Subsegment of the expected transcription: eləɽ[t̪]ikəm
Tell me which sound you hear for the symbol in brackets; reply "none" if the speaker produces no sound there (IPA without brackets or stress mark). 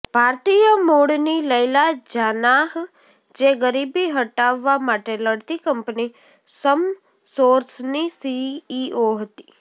t̪